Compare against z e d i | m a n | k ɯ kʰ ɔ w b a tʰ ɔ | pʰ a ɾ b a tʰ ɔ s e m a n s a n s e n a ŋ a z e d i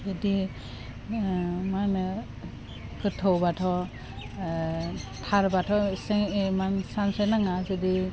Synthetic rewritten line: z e d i | m a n | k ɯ tʰ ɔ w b a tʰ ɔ | tʰ a ɾ b a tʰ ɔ s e m a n s a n s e n a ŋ a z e d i